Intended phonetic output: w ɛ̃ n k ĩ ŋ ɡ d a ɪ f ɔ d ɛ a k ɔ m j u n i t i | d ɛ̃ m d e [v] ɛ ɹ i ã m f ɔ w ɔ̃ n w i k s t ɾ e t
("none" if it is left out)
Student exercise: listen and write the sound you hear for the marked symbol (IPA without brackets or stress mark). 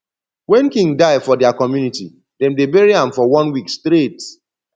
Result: b